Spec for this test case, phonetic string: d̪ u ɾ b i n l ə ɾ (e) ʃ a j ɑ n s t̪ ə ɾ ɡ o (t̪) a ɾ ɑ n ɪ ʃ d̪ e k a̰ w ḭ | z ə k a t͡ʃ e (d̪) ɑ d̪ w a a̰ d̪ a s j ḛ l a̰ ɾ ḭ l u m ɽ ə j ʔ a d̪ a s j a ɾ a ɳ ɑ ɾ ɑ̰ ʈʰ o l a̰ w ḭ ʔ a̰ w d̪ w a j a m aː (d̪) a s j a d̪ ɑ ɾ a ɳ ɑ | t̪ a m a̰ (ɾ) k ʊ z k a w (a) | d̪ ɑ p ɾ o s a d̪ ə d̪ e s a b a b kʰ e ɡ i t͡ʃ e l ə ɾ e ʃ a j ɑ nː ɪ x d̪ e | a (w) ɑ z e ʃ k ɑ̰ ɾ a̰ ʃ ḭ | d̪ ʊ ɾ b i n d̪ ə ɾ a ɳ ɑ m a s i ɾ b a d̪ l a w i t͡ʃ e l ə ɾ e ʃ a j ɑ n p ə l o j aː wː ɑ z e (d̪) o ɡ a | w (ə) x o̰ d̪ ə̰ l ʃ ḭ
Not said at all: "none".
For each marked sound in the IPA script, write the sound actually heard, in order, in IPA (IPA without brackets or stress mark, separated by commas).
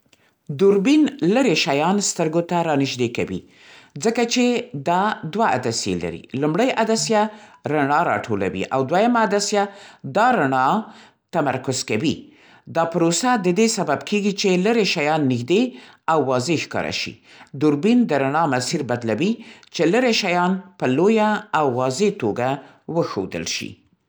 e, t̪, d̪, d̪, ɾ, i, wː, t̪, ə